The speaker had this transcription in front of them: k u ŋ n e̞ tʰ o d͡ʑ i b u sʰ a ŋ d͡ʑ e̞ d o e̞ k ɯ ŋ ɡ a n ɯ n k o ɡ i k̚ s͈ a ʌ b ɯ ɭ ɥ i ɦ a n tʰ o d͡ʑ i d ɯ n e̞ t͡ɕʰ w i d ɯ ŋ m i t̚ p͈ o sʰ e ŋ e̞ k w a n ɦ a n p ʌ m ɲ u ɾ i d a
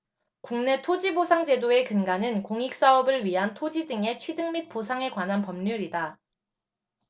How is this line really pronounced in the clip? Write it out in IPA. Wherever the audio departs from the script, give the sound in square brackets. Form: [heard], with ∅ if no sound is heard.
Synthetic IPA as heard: k u ŋ n e̞ tʰ o d͡ʑ i b [o] sʰ a ŋ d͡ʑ e̞ d o e̞ k ɯ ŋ ɡ a n ɯ n k o [ŋ] i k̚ s͈ a ʌ b ɯ ɭ ɥ i ɦ a n tʰ o d͡ʑ i d ɯ [ŋ] e̞ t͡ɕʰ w i d ɯ ŋ m i t̚ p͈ o sʰ [a] ŋ e̞ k w a n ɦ a n p ʌ m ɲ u ɾ i d a